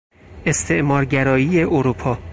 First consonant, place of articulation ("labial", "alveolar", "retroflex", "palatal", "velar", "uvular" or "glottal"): alveolar